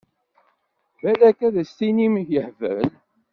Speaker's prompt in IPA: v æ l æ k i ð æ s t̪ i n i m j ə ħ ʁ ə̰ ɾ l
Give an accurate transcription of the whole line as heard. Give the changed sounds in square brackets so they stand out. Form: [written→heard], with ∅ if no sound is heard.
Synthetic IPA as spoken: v æ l æ k [i→æ] ð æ s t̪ i n i m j ə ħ [ʁ→v] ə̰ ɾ l